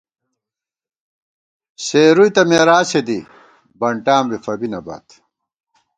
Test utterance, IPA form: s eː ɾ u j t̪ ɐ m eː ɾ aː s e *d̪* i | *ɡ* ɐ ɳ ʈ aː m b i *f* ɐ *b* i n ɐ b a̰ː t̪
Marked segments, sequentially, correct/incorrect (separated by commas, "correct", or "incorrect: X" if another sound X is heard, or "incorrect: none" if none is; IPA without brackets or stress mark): correct, incorrect: b, correct, correct